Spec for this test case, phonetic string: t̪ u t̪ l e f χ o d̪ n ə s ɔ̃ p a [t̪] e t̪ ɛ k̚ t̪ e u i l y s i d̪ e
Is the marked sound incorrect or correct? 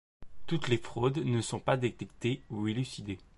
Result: incorrect